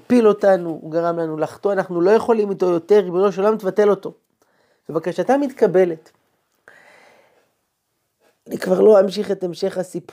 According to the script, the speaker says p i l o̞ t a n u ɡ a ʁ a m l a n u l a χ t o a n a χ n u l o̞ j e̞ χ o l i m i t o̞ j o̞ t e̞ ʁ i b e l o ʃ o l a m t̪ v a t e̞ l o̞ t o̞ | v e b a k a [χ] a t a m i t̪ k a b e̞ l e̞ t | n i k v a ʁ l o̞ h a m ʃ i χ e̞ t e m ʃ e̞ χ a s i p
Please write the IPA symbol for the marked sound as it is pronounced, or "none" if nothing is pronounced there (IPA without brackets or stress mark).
ʃ